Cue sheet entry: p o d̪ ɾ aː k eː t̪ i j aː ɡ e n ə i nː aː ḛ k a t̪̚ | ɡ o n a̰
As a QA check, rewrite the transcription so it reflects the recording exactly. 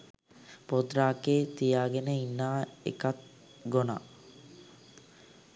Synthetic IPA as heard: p o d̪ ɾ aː k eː t̪ i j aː ɡ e n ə i nː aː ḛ k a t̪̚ | ɡ o n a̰